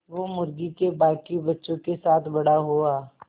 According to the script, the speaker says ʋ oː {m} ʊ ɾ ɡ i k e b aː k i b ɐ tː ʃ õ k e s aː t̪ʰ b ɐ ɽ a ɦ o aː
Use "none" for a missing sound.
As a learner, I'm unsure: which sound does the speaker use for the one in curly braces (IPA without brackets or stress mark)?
m